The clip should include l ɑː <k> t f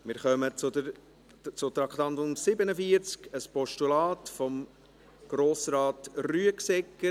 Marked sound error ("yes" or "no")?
yes